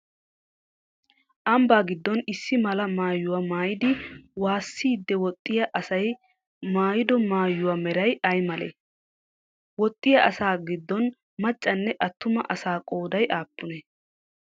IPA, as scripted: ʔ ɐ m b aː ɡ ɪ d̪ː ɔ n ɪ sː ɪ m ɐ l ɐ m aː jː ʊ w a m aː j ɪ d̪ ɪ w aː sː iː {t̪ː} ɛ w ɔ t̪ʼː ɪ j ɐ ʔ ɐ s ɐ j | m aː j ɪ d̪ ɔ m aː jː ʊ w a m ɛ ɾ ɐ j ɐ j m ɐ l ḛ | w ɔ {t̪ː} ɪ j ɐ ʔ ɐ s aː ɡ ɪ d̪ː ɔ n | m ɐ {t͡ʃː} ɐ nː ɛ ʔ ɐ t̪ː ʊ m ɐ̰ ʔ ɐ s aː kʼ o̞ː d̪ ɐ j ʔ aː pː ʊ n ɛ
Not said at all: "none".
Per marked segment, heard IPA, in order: d̪ː, t̪ʼː, t͡ʃʼː

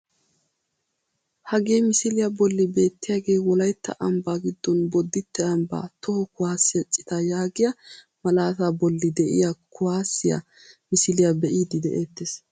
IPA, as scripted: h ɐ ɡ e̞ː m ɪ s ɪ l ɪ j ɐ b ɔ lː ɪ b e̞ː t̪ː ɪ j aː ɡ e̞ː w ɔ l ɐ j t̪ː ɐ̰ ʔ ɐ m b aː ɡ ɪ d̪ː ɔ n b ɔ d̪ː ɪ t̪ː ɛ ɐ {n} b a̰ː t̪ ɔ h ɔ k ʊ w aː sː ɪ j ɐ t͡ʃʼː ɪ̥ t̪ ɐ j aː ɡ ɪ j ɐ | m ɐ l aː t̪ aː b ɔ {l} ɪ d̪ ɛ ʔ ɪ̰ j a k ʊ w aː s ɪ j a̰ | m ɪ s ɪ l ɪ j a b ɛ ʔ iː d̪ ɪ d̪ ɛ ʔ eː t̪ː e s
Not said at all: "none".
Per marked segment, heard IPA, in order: m, lː

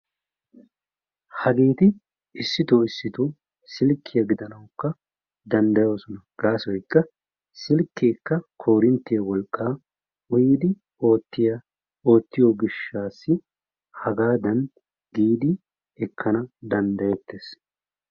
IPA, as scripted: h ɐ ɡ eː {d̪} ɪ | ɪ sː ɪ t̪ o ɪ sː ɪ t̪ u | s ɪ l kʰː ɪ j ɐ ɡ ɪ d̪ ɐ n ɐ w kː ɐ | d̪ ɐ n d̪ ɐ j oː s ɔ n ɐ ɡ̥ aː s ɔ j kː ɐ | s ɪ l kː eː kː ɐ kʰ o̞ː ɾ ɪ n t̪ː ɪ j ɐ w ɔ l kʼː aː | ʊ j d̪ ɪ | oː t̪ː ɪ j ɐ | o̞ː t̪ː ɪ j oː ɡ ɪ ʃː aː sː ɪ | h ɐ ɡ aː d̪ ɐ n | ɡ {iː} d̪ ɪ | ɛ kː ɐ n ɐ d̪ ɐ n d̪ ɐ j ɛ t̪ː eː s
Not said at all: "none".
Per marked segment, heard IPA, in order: t̪, iː

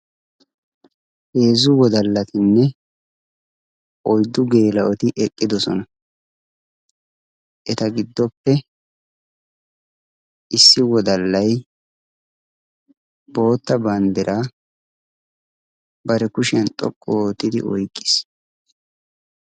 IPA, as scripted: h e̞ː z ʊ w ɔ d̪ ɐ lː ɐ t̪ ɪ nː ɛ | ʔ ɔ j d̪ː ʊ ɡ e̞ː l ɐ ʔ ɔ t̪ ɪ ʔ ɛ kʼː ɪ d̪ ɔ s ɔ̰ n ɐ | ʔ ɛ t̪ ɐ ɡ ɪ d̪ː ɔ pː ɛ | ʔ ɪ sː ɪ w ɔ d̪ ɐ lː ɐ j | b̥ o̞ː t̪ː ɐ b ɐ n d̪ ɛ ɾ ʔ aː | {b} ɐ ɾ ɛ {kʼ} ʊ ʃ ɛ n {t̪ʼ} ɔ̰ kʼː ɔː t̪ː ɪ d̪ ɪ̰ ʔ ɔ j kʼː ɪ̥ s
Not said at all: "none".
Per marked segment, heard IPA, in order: b, k, t̪ʼ

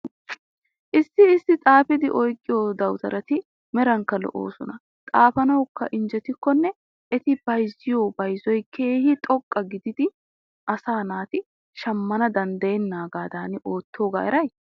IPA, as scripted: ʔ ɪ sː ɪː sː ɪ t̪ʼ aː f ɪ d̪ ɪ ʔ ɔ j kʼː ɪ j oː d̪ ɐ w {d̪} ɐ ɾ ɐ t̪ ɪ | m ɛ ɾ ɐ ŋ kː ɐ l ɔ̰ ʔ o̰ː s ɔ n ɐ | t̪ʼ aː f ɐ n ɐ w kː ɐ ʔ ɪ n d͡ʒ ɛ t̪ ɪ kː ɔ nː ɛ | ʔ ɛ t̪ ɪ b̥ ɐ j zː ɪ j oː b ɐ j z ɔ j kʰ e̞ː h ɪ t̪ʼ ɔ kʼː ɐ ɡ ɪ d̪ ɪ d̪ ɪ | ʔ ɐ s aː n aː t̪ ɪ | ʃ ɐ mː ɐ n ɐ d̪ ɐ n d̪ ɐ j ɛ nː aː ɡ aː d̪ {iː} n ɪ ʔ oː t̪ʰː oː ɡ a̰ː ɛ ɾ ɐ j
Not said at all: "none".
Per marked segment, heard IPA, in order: t̪, aː

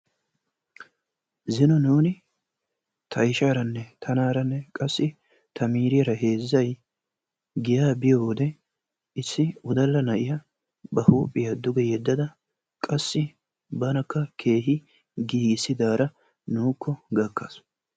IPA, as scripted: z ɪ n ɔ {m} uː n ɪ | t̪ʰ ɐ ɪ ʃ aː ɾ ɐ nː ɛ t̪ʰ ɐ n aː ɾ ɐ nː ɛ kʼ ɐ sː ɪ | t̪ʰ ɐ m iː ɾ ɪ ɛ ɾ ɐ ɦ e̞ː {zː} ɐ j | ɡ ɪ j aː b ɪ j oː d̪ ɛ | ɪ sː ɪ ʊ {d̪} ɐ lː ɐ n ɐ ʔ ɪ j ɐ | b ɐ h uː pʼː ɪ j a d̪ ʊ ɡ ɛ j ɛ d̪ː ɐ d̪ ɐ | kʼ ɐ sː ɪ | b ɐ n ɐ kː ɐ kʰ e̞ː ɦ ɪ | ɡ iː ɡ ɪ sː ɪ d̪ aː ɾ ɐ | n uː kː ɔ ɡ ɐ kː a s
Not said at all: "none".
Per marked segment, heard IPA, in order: n, zː, d̪

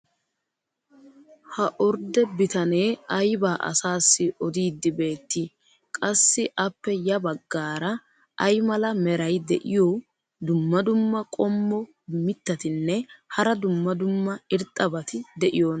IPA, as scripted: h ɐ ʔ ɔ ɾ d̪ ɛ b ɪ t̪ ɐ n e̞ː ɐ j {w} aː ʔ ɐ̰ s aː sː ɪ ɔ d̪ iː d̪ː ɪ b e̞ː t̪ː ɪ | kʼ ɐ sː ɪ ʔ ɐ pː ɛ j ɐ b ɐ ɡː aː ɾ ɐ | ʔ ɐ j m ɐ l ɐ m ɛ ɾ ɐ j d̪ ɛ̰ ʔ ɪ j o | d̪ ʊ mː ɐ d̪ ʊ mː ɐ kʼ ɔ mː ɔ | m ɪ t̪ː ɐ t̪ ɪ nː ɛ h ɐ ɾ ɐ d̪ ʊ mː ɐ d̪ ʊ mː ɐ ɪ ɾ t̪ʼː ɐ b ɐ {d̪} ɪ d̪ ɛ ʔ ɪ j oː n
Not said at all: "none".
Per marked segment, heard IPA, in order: b, t̪

